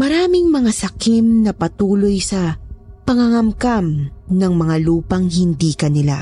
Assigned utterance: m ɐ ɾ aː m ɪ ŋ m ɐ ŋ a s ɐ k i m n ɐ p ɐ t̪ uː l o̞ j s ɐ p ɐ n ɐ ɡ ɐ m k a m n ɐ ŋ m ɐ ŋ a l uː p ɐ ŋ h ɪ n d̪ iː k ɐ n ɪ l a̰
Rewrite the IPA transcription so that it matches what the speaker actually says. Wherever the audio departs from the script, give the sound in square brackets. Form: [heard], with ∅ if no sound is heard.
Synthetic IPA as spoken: m ɐ ɾ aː m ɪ ŋ m ɐ ŋ a s ɐ k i m n ɐ p ɐ t̪ uː l o̞ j s ɐ p ɐ [ŋ] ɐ [ŋ] ɐ m k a m n ɐ ŋ m ɐ ŋ a l uː p ɐ ŋ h ɪ n d̪ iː k ɐ n ɪ l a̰